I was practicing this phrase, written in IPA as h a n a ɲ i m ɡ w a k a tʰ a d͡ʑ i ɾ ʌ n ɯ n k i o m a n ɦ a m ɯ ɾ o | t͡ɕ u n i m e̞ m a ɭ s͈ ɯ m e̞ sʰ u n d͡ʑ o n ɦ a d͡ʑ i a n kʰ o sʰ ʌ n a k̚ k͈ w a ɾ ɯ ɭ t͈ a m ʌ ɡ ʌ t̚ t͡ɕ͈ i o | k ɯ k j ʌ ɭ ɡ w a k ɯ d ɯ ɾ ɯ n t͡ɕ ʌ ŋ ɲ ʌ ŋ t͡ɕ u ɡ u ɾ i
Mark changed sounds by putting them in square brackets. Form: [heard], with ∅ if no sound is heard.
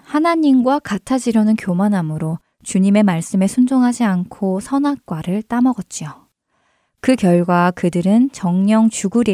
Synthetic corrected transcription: h a n a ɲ i m ɡ w a k a tʰ a d͡ʑ i ɾ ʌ n ɯ n k [j] o m a n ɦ a m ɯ ɾ o | t͡ɕ u [ɲ] i m e̞ m a ɭ s͈ ɯ m e̞ sʰ u n d͡ʑ o [ŋ] ɦ a d͡ʑ i a n kʰ o sʰ ʌ n a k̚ k͈ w a ɾ ɯ ɭ t͈ a m ʌ ɡ ʌ t̚ t͡ɕ͈ i o | k ɯ k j ʌ ɭ ɡ w a k ɯ d ɯ ɾ ɯ n t͡ɕ ʌ ŋ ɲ ʌ ŋ t͡ɕ u ɡ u ɾ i